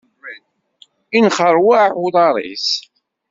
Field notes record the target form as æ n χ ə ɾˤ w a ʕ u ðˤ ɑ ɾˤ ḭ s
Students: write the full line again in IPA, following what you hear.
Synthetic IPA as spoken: i n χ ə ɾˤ w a ʕ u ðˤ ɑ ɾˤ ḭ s